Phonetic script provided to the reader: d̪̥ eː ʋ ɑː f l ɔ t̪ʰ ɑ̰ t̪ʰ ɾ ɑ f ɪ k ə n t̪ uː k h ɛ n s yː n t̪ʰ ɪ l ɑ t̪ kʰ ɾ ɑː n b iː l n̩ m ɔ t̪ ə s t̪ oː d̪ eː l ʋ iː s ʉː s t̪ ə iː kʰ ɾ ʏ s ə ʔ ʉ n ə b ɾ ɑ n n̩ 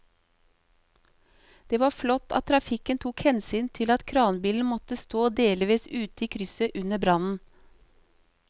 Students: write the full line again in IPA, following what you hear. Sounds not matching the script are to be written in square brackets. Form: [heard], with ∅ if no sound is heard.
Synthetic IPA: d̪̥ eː ʋ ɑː f l ɔ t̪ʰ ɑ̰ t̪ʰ ɾ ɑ f ɪ k ə n [t̪ʰ] uː k h ɛ n s yː n t̪ʰ ɪ l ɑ t̪ kʰ ɾ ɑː n b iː l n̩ m ɔ t̪ ə s t̪ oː d̪ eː l ʋ iː s ʉː [∅] t̪ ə iː kʰ ɾ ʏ s ə ʔ ʉ n ə b ɾ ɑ n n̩